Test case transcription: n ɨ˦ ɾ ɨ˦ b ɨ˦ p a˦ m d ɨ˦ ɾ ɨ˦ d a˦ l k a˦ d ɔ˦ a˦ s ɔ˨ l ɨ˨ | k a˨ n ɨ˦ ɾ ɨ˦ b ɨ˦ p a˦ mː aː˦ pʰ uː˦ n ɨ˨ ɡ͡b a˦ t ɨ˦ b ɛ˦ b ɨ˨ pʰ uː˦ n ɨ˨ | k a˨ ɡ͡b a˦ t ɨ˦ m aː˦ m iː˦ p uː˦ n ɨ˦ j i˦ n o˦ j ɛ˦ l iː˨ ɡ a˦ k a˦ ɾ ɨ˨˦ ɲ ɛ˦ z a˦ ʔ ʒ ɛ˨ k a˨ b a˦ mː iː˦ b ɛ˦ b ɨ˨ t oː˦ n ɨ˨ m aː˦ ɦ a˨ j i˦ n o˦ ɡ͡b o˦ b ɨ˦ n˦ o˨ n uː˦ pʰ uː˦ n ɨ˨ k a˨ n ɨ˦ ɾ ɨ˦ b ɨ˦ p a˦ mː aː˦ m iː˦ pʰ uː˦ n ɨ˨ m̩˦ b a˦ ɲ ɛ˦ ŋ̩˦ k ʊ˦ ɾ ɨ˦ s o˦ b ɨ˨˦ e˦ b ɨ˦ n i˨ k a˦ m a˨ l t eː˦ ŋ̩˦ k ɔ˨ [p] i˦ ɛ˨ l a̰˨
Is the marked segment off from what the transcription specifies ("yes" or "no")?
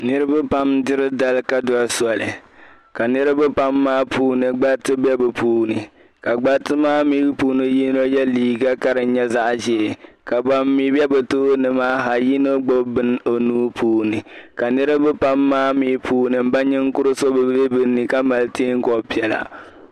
no